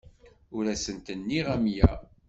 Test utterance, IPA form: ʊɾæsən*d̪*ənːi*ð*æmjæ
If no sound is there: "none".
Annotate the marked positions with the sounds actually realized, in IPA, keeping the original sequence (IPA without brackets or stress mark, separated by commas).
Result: t̪, ʁ